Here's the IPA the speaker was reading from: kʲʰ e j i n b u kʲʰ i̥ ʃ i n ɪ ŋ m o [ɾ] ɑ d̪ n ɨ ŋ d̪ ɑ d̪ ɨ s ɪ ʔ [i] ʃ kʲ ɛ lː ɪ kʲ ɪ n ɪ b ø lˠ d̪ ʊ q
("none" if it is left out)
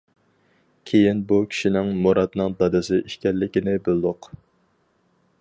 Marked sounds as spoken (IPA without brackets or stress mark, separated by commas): ɾ, i